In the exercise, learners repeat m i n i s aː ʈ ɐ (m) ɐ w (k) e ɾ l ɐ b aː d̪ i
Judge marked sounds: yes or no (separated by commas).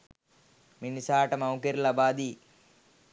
yes, yes